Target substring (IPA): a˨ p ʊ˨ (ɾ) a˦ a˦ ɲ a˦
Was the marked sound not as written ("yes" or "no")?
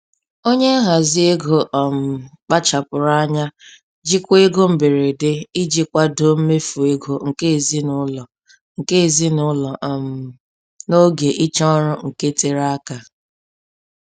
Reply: no